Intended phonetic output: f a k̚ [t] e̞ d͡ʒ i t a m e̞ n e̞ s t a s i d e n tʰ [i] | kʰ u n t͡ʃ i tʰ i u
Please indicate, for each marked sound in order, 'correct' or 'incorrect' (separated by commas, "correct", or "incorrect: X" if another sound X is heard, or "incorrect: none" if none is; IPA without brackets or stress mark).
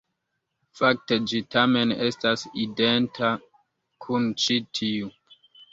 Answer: correct, incorrect: a